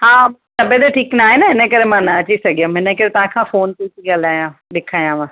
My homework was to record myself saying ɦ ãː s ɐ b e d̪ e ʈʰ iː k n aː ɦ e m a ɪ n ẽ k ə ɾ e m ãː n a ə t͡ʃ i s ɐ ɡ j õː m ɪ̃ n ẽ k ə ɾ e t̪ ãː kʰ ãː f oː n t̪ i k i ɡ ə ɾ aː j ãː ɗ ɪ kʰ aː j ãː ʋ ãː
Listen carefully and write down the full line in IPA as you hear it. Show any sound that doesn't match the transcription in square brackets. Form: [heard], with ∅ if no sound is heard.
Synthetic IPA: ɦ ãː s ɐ b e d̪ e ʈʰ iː k n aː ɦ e [n] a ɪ n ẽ k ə ɾ e m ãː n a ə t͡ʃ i s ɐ ɡ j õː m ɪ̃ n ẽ k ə ɾ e t̪ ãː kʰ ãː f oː n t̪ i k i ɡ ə [l] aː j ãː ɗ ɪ kʰ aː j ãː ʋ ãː